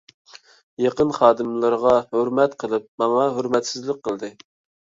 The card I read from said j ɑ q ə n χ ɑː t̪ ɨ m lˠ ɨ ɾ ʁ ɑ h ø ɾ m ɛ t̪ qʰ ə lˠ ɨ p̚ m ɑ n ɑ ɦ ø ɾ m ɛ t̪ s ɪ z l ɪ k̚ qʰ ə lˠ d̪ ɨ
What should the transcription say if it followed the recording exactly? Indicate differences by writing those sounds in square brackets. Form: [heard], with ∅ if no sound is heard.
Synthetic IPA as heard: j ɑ q ə n χ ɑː [d̪] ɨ m lˠ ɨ ɾ ʁ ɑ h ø ɾ m ɛ t̪ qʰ ə lˠ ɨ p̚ m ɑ [ŋ] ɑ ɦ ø ɾ m ɛ t̪ s ɪ z l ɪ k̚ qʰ ə lˠ d̪ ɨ